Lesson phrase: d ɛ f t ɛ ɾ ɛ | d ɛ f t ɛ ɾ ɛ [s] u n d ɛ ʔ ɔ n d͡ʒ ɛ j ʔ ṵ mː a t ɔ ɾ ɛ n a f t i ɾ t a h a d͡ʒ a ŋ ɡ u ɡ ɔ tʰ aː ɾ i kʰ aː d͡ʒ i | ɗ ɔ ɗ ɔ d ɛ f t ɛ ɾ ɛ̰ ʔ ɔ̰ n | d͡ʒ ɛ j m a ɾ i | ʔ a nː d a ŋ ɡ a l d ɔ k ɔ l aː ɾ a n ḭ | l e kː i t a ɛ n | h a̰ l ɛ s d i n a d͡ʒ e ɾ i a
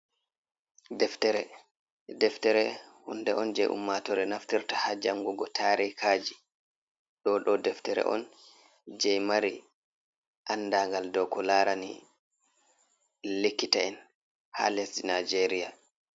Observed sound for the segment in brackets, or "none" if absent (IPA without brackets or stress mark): h